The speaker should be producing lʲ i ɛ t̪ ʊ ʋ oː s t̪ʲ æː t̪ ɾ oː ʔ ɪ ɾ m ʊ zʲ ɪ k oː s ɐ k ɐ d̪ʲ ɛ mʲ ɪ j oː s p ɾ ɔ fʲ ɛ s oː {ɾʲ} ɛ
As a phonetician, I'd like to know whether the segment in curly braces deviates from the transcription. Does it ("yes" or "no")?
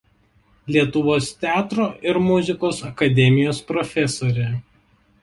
no